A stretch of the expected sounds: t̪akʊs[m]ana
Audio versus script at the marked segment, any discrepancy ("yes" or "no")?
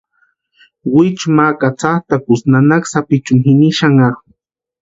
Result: yes